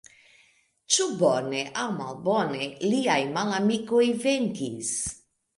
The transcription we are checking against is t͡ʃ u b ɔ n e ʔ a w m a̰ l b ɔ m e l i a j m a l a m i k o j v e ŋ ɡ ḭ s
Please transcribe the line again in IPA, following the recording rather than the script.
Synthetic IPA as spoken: t͡ʃ u b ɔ n e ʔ a w m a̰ l b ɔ n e l i a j m a l a m i k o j v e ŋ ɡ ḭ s